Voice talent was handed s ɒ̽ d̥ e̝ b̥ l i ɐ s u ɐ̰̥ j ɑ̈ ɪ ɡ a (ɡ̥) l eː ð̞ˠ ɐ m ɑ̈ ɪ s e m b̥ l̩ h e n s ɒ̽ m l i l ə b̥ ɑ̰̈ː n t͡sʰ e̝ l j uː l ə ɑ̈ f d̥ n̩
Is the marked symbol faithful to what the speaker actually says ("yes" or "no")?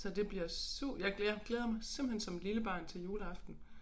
yes